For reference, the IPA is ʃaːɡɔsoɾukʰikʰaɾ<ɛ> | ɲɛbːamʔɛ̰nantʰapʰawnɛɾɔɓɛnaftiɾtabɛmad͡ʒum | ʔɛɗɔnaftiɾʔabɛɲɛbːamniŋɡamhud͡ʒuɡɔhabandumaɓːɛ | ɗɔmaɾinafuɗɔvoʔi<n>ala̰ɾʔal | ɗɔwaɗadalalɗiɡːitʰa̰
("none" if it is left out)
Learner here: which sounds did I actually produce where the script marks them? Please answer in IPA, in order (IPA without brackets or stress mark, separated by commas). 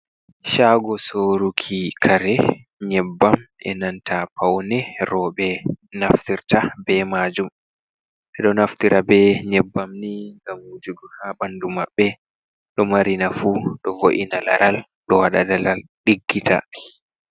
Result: ɛ, n